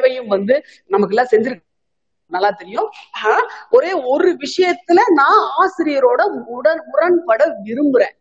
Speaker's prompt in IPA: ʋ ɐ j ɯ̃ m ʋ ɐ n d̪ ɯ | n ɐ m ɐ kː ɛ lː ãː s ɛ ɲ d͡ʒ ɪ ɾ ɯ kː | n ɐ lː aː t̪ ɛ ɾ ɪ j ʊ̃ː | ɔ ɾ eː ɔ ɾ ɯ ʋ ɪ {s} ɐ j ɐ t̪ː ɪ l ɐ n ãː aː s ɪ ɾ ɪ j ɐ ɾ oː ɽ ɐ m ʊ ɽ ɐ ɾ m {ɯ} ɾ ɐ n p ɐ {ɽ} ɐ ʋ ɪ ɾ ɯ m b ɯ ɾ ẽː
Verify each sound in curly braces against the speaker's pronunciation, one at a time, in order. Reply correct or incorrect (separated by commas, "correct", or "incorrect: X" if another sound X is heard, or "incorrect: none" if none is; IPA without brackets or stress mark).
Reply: incorrect: ʂ, incorrect: ʊ, correct